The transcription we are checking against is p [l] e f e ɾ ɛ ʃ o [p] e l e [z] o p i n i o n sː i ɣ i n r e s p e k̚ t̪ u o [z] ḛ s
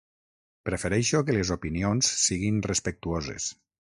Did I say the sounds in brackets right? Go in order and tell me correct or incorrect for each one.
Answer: incorrect: ɾ, incorrect: k, correct, correct

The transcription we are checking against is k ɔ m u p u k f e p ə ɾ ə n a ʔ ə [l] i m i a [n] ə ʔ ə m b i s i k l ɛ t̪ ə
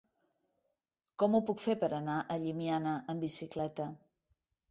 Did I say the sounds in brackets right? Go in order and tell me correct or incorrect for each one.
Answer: incorrect: ʎ, correct

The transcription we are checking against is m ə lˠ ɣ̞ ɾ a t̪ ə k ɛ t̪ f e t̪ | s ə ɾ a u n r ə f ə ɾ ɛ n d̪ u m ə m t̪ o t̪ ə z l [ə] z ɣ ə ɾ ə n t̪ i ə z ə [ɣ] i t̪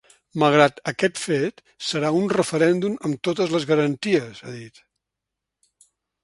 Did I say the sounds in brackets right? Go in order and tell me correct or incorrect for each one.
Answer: correct, incorrect: ð

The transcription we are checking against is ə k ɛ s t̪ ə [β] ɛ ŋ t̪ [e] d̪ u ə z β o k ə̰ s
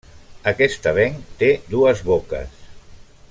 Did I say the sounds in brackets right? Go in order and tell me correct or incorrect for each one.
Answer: correct, correct

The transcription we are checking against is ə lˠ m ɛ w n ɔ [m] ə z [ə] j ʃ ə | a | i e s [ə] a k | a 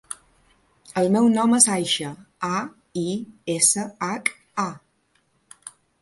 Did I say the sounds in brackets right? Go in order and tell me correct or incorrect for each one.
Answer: correct, incorrect: a, correct

